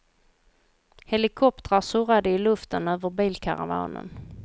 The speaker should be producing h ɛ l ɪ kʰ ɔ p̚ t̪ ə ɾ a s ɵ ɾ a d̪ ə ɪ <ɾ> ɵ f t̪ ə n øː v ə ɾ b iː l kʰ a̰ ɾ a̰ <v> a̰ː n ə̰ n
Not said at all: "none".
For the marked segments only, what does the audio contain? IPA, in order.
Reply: l, v

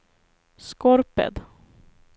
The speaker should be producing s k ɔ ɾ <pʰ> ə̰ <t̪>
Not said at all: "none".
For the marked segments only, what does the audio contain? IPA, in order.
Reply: p, d̪

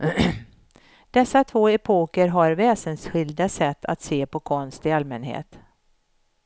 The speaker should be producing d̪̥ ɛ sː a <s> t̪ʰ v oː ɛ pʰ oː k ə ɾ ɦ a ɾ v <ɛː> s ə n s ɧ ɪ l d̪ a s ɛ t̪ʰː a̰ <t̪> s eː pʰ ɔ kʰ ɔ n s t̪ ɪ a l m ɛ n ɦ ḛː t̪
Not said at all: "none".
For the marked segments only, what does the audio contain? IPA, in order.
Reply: none, ɛː, t̪

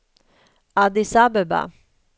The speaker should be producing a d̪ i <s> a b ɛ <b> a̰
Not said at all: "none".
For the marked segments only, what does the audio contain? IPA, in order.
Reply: s, b

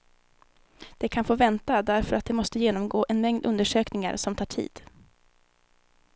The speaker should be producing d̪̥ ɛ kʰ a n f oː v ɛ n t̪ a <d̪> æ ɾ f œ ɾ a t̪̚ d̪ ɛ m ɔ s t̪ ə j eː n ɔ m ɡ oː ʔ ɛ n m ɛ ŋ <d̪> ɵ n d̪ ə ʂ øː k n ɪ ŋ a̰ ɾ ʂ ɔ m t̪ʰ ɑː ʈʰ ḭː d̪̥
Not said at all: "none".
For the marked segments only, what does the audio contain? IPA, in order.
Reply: d̪, d̪

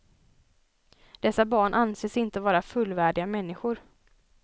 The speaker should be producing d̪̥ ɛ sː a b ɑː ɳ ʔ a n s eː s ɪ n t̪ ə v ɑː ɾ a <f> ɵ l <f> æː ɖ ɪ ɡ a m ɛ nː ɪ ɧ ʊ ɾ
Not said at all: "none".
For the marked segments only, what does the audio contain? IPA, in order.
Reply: f, v

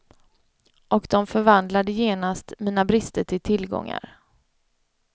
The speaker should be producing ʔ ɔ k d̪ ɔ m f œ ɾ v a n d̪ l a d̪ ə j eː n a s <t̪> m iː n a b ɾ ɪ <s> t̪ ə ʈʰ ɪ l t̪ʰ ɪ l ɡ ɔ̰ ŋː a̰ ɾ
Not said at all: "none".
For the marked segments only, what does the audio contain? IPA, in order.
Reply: t̪, s

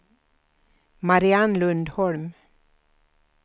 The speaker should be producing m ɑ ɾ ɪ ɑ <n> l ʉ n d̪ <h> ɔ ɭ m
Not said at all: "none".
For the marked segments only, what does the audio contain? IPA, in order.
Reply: n, h

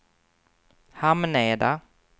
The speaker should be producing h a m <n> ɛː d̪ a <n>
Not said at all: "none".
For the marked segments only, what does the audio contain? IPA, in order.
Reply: n, none

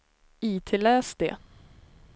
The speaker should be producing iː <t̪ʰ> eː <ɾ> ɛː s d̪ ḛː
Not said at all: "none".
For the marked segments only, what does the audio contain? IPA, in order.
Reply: t̪ʰ, l

